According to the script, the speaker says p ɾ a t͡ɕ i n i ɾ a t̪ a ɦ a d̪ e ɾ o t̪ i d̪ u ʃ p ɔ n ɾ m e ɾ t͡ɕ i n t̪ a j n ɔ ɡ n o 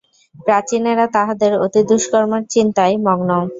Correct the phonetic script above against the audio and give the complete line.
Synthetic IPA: p ɾ a t͡ɕ i n e ɾ a t̪ a ɦ a d̪ e ɾ o t̪ i d̪ u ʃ k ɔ ɾ m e ɾ t͡ɕ i n t̪ a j m ɔ ɡ n o